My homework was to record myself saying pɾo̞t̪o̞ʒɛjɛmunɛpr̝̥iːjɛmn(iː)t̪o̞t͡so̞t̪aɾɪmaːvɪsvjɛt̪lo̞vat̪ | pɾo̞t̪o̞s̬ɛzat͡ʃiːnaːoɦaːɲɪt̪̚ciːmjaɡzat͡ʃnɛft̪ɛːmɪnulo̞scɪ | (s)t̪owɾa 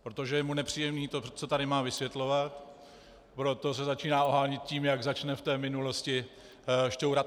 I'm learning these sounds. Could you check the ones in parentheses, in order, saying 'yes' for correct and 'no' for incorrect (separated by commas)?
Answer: yes, no